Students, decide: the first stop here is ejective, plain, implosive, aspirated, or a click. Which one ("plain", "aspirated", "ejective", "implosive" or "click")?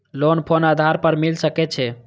aspirated